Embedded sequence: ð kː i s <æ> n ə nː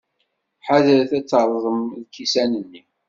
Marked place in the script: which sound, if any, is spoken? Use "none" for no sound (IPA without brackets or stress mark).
æ